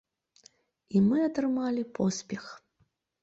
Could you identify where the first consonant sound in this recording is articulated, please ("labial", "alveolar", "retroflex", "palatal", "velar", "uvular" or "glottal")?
labial